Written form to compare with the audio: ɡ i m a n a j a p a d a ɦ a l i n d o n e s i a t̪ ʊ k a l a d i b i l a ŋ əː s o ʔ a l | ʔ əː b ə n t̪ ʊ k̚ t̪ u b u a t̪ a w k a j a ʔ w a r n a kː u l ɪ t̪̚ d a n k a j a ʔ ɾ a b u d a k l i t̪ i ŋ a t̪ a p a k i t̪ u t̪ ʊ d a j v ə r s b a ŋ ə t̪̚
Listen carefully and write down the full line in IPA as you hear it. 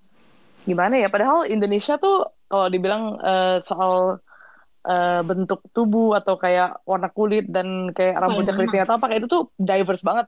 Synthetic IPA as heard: ɡ i m a n a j a p a d a ɦ a l i n d o n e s i a t̪ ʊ k a l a d i b i l a ŋ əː s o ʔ a l | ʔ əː b ə n t̪ ʊ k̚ t̪ u b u a t̪ a w k a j a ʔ w a r n a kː u l ɪ t̪̚ d a n k a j a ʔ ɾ a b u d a k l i t̪ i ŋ a t̪ a p a k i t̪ u t̪ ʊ d a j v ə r s b a ŋ ə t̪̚